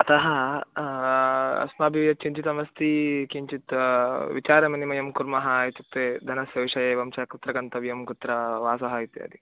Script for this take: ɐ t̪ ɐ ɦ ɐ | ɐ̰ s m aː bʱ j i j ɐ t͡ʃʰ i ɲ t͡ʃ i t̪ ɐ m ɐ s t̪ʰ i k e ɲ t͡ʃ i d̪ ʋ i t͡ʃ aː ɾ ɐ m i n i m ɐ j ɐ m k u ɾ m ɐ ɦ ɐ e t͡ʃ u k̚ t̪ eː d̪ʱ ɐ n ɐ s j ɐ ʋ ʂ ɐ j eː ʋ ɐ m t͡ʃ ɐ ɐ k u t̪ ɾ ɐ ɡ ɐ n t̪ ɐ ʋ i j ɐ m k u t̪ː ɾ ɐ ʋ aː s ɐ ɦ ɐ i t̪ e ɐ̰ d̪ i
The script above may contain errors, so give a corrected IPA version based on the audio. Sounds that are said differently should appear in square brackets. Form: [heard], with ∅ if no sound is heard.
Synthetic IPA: ɐ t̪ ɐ ɦ ɐ | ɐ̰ s m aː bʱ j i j ɐ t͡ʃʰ i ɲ t͡ʃ i t̪ ɐ m ɐ s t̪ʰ i k [i] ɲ t͡ʃ i [t̪] ʋ i t͡ʃ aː ɾ ɐ m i n i m ɐ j ɐ m k u ɾ m ɐ ɦ ɐ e t͡ʃ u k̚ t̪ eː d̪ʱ ɐ n ɐ s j ɐ ʋ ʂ ɐ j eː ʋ ɐ m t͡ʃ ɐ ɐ k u t̪ ɾ ɐ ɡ ɐ n t̪ ɐ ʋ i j ɐ m k u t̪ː ɾ ɐ ʋ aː s ɐ ɦ ɐ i t̪ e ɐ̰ d̪ i